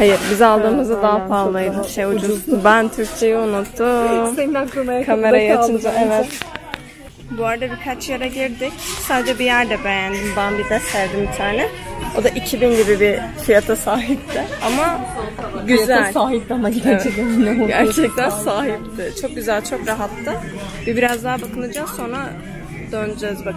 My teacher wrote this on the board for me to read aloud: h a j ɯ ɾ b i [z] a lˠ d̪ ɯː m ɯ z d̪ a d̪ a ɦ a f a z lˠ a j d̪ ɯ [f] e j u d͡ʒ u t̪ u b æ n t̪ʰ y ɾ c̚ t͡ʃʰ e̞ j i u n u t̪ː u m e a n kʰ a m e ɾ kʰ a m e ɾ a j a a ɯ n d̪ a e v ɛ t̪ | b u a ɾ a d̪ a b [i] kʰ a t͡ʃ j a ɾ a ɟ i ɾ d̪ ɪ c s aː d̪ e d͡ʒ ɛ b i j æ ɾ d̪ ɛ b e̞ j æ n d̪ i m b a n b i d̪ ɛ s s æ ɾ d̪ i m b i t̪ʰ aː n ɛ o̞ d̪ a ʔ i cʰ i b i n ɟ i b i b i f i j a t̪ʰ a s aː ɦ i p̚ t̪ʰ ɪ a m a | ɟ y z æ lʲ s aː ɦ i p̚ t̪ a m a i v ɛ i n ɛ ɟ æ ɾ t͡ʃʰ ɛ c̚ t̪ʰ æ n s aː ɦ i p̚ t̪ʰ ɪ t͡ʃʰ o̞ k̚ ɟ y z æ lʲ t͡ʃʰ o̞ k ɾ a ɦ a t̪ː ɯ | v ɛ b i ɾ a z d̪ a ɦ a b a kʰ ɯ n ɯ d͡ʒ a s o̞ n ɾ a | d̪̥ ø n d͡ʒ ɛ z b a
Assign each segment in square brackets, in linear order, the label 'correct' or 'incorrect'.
correct, incorrect: ʃ, correct

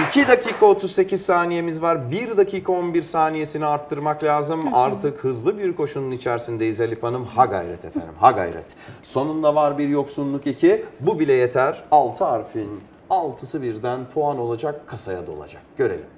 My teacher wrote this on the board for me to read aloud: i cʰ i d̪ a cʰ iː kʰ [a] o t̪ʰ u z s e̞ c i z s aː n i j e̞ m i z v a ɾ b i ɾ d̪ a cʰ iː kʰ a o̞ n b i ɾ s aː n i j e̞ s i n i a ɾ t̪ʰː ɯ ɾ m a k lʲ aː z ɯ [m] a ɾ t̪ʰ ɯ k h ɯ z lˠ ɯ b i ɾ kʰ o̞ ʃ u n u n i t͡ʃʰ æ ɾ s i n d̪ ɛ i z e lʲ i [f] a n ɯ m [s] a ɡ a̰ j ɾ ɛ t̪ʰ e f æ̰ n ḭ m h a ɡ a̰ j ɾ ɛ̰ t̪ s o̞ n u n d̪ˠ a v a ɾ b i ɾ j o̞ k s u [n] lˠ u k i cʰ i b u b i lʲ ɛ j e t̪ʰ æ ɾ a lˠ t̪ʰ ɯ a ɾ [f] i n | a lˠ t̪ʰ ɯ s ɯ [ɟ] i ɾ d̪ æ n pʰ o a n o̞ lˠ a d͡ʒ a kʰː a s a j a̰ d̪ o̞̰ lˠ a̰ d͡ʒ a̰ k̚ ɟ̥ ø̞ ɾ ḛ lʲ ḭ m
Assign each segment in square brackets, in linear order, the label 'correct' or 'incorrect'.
correct, correct, correct, incorrect: h, correct, correct, incorrect: b

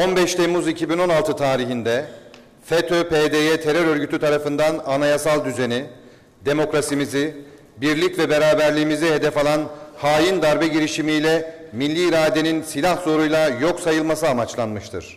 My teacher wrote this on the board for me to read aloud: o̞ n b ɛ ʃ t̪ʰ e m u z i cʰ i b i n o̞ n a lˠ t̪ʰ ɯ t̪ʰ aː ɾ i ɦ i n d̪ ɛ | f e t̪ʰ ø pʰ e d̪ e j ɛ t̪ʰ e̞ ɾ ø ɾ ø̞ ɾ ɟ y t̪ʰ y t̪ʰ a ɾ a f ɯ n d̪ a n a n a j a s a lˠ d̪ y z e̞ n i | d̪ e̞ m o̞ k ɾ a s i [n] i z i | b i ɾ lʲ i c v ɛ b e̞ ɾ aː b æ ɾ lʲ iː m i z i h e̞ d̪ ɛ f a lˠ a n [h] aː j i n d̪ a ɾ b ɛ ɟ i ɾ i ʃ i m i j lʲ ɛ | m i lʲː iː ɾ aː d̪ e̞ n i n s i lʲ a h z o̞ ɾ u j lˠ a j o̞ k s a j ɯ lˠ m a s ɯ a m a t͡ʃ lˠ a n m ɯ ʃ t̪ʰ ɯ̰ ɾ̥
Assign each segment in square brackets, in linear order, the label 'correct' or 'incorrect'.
incorrect: m, correct

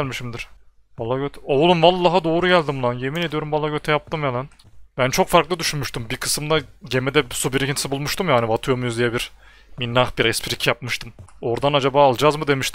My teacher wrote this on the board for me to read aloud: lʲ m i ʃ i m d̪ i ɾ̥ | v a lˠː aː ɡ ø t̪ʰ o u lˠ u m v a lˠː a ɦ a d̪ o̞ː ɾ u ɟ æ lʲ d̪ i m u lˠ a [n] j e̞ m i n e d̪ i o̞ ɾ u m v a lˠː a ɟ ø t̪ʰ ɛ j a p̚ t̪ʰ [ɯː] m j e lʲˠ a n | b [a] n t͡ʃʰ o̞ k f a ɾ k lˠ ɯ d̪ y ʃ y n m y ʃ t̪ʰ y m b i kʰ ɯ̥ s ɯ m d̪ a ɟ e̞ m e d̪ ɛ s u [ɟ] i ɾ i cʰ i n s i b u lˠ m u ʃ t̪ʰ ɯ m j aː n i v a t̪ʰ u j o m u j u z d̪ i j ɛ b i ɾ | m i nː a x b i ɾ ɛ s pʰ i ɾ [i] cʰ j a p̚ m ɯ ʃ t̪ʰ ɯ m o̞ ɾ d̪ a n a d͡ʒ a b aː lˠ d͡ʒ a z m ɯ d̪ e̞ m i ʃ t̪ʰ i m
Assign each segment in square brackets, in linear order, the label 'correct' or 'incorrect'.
correct, incorrect: ɯ, incorrect: æ, incorrect: b, correct

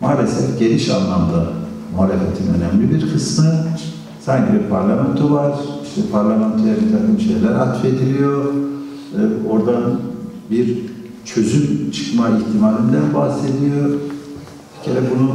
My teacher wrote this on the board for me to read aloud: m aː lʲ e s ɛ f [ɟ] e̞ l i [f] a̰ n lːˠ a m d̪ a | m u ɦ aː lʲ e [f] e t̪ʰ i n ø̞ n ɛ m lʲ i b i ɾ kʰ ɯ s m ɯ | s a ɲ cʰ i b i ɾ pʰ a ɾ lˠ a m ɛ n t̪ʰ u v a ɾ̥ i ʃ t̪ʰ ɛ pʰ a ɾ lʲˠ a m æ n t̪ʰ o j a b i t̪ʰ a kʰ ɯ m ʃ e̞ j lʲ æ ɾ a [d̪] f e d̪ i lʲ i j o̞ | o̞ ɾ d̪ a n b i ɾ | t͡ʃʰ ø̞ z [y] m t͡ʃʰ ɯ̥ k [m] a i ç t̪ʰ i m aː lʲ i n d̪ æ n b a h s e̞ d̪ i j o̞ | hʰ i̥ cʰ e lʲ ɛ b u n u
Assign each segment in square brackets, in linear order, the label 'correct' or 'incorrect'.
correct, incorrect: ʃ, correct, incorrect: t̪, correct, correct

